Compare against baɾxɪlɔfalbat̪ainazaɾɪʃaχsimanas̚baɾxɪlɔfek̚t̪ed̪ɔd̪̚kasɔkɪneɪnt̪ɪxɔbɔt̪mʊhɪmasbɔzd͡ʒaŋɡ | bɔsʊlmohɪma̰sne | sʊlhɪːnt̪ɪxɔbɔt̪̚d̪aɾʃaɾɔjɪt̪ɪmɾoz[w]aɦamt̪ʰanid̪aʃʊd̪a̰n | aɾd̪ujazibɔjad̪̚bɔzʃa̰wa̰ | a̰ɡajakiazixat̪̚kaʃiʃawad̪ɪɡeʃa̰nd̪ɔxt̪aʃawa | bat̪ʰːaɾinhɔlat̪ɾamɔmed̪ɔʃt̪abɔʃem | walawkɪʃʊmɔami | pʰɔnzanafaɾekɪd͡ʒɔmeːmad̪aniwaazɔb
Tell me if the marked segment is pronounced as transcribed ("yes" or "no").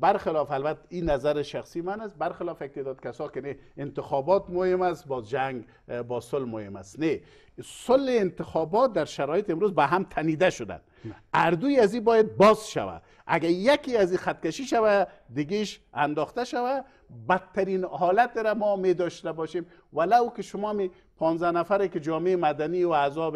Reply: no